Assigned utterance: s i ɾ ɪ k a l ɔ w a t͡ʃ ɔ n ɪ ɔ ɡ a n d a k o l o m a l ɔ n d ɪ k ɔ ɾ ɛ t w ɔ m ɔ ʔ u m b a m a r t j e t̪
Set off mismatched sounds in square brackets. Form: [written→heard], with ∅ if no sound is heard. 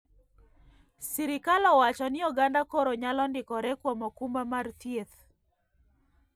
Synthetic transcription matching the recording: s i ɾ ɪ k a l ɔ w a t͡ʃ ɔ n ɪ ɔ ɡ a n d a k o [l→ɾ] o [m→ɲ] a l ɔ n d ɪ k ɔ ɾ ɛ [t→k] w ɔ m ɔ [ʔ→k] u m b a m a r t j e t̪